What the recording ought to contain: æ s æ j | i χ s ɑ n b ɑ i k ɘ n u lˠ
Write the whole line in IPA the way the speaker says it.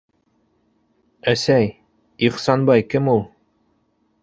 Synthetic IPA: æ s æ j | i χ s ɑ n b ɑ j k ɘ m u lˠ